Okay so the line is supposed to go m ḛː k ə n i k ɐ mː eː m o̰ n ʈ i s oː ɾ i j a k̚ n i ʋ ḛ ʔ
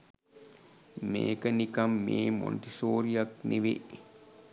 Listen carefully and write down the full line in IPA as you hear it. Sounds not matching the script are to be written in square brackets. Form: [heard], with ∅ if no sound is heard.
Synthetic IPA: m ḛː k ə n i k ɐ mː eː m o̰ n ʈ i s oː ɾ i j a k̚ n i ʋ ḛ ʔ